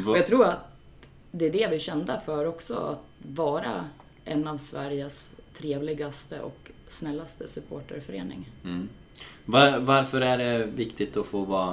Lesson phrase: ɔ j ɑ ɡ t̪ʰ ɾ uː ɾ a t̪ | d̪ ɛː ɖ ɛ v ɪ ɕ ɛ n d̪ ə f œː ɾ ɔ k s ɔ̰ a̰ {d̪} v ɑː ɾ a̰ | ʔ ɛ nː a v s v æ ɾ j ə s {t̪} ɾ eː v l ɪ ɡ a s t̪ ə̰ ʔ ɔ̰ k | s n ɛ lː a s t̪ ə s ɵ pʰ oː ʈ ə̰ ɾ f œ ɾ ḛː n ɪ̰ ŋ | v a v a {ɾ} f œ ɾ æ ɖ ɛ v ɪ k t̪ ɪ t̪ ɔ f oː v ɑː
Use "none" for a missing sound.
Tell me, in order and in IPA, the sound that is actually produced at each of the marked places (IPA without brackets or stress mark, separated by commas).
t̪, t̪ʰ, ɾ